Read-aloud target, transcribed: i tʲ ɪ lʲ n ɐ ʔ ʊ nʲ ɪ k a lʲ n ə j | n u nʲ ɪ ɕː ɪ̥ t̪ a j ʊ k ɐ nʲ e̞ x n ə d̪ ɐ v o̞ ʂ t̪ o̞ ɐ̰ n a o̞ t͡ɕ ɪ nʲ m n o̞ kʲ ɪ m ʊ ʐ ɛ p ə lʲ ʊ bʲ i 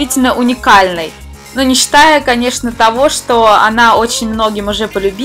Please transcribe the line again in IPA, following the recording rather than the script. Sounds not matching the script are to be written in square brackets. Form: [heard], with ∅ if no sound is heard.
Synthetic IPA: i tʲ ɪ lʲ n [ə] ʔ ʊ nʲ ɪ k a lʲ n ə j | n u nʲ ɪ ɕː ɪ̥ t̪ a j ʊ k ɐ nʲ e̞ [ʂ] n ə [t̪] ɐ v o̞ ʂ t̪ o̞ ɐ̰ n a o̞ t͡ɕ ɪ nʲ m n o̞ [ɡʲ] ɪ m ʊ ʐ ɛ p ə lʲ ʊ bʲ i